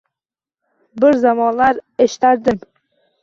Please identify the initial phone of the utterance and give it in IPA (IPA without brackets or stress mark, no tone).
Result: b